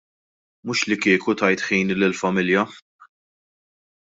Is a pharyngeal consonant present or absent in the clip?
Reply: present